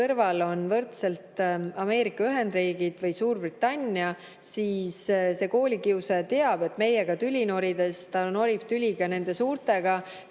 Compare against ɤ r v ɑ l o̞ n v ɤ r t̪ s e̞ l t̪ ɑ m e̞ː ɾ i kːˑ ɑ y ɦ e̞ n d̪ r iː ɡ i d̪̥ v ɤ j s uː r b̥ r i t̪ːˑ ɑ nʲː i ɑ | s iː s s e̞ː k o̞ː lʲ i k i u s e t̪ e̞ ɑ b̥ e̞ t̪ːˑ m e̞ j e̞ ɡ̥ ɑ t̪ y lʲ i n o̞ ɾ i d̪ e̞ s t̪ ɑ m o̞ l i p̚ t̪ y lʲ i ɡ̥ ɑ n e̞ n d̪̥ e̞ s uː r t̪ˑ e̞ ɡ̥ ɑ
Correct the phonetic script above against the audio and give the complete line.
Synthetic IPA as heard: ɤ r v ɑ l o̞ n v ɤ r t̪ s e̞ l t̪ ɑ m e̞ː ɾ i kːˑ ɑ y ɦ e̞ n d̪ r iː ɡ i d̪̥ v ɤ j s uː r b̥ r i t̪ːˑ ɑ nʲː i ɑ | s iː s s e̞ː k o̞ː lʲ i k i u s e t̪ e̞ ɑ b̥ e̞ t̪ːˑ m e̞ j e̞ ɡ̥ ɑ t̪ y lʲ i n o̞ ɾ i d̪ e̞ s t̪ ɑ n o̞ ɾ i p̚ t̪ y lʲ i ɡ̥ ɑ n e̞ n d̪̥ e̞ s uː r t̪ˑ e̞ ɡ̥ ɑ